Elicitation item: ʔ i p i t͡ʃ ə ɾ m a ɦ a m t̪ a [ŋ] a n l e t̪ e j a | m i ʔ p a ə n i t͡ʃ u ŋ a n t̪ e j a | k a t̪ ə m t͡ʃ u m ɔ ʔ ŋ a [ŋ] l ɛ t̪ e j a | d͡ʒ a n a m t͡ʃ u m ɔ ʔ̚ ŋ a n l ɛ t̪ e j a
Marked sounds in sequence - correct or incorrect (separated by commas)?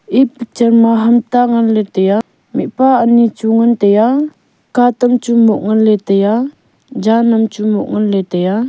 correct, incorrect